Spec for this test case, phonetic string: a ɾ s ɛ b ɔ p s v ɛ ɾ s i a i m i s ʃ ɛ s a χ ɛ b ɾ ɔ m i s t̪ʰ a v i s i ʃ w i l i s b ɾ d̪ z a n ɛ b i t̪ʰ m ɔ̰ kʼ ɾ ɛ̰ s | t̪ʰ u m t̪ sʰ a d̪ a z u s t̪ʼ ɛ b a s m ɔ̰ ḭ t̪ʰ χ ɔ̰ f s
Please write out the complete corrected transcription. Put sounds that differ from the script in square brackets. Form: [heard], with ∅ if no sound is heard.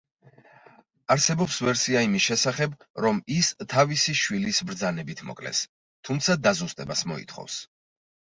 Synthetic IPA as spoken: a ɾ s ɛ b ɔ p s v ɛ ɾ s i a i m i s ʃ ɛ s a χ ɛ b ɾ ɔ m i s t̪ʰ a v i s i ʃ w i l i s b ɾ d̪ z a n ɛ b i t̪ʰ m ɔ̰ kʼ [l] ɛ̰ s | t̪ʰ u m t̪ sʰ a d̪ a z u s t̪ʼ ɛ b a s m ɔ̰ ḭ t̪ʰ χ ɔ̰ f s